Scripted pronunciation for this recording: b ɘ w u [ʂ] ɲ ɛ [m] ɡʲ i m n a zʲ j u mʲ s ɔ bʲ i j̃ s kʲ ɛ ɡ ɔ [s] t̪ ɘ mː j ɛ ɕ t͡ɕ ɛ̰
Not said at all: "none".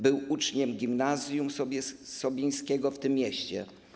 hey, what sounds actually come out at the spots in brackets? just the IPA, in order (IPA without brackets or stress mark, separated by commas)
t͡ʂ, m, f